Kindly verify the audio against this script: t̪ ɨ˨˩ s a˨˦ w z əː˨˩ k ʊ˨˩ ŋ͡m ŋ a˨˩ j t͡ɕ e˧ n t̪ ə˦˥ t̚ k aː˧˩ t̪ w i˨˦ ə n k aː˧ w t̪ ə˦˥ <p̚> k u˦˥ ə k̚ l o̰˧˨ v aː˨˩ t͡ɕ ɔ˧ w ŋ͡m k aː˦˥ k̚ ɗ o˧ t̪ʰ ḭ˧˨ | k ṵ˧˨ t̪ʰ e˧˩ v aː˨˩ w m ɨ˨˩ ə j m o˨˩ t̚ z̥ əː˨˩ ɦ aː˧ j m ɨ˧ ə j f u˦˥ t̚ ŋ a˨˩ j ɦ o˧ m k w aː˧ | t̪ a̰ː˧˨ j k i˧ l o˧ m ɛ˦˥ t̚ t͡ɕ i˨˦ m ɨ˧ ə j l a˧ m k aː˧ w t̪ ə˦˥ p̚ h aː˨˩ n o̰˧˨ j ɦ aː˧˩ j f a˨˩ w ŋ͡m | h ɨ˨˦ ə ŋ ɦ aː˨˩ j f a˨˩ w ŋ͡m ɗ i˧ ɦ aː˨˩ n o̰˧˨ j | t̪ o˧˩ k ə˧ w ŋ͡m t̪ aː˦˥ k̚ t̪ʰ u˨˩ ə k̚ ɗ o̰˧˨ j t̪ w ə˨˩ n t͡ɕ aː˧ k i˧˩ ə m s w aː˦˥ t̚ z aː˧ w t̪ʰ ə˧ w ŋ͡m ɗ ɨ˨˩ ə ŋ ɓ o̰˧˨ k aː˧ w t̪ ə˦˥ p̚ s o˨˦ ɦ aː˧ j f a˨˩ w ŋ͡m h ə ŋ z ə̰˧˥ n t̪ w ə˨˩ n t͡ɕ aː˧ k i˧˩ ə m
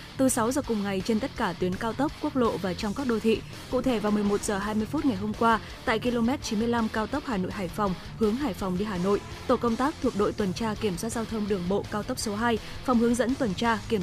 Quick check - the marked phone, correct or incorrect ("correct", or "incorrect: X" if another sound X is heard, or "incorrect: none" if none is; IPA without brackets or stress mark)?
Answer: correct